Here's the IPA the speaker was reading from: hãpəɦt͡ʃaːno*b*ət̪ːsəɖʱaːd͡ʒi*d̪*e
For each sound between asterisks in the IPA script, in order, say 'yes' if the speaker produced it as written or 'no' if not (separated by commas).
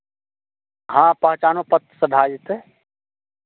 no, no